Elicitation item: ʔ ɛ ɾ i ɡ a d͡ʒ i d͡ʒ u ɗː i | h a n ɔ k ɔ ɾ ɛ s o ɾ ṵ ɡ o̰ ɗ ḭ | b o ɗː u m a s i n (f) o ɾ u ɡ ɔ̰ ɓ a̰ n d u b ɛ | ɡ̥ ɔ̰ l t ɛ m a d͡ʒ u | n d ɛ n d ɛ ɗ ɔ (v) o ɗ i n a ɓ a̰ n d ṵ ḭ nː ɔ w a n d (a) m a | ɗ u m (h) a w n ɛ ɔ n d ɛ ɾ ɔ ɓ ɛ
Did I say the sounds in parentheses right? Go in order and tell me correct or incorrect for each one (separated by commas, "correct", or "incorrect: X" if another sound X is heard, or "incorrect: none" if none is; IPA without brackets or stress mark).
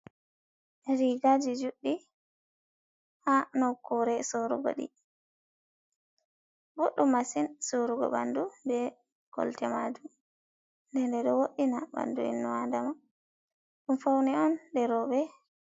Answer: incorrect: s, incorrect: w, correct, incorrect: f